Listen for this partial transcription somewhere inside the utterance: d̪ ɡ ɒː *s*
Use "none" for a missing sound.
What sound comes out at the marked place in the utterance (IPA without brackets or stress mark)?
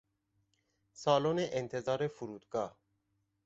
h